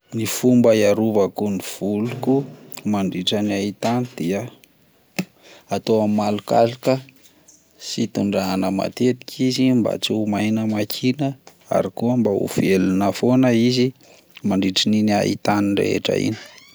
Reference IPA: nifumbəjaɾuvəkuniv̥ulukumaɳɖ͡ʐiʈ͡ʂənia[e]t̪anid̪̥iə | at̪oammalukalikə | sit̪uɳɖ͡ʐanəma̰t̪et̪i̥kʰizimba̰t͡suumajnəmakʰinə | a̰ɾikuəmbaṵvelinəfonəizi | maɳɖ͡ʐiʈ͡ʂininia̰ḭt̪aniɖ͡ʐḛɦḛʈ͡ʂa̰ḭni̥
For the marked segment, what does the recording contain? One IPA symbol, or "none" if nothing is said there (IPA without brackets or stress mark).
i